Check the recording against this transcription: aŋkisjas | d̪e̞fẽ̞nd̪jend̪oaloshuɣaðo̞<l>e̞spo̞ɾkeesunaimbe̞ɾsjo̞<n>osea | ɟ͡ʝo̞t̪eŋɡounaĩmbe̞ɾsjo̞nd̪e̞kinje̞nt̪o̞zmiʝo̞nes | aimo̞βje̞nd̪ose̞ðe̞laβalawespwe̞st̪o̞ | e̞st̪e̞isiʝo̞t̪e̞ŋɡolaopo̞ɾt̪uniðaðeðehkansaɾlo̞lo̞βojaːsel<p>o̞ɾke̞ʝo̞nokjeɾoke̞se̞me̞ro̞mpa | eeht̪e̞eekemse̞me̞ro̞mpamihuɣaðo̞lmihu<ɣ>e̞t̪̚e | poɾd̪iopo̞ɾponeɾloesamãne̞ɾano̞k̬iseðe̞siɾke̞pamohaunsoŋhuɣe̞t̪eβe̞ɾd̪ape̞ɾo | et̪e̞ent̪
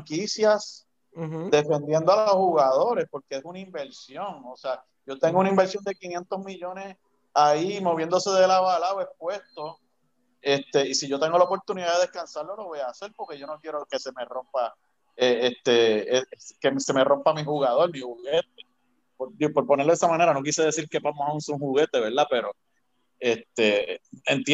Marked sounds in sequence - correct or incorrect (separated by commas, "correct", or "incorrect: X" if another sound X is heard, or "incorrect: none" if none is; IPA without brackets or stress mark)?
incorrect: ɾ, incorrect: ŋ, correct, correct